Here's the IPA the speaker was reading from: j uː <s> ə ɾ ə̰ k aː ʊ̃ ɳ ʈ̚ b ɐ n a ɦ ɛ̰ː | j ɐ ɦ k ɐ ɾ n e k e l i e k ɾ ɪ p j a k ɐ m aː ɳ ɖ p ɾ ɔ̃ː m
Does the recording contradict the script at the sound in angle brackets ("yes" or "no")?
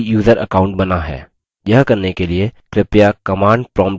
yes